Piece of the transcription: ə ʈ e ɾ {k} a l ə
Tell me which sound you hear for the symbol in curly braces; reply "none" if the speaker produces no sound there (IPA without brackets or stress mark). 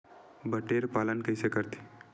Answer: p